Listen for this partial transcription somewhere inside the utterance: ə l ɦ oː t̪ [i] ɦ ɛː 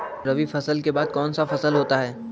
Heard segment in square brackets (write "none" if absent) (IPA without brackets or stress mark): a